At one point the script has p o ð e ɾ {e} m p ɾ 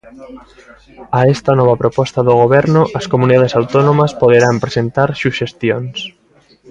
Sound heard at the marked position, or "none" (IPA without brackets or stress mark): a